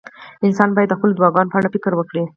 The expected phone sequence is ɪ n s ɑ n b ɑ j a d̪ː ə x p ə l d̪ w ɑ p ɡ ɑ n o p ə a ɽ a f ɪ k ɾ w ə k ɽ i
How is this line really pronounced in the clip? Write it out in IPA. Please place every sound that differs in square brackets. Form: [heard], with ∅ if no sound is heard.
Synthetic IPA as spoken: ɪ n s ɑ n b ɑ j a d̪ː ə x p ə l d̪ w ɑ [∅] ɡ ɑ n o p ə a ɽ a f ɪ k ɾ w ə k ɽ i